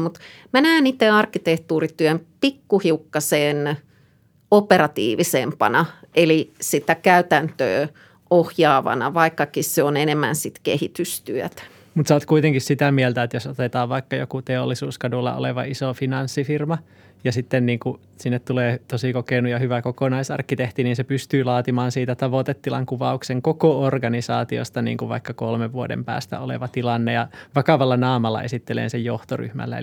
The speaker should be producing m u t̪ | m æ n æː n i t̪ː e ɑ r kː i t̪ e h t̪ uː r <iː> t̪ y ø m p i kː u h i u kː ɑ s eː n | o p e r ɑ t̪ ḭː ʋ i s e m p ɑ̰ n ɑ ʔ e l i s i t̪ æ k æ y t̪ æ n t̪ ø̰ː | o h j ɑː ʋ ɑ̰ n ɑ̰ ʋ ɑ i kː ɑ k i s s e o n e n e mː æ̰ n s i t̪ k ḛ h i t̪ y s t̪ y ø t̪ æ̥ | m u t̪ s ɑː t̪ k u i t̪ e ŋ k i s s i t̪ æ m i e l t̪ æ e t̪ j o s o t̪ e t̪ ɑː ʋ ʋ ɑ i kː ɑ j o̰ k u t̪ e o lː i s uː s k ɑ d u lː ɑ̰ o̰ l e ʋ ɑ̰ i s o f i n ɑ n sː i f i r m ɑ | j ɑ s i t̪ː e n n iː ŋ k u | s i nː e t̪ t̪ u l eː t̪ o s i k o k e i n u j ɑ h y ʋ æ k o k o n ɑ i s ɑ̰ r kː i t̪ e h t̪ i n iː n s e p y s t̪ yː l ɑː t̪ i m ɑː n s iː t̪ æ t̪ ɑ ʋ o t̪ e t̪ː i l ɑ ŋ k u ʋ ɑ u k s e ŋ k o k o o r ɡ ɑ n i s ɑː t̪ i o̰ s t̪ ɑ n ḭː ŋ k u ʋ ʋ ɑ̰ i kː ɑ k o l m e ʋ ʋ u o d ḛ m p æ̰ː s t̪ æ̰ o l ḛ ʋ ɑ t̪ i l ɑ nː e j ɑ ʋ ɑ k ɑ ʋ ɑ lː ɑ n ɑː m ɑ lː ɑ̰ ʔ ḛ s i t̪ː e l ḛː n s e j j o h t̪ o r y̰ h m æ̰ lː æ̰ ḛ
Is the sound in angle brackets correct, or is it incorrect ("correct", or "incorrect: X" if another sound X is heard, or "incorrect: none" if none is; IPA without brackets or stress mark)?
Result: incorrect: i